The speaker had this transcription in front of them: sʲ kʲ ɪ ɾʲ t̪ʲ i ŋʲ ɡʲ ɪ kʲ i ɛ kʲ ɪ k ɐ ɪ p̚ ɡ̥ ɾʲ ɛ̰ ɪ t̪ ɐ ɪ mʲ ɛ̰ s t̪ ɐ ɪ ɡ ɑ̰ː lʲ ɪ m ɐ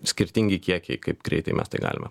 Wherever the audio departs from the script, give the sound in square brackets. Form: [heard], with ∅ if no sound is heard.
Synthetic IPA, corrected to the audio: sʲ kʲ ɪ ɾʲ t̪ʲ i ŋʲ ɡʲ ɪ kʲ i ɛ kʲ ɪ k ɐ ɪ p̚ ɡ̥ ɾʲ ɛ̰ ɪ t̪ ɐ ɪ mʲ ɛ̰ s t̪ ɐ ɪ ɡ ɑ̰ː lʲ ɪ m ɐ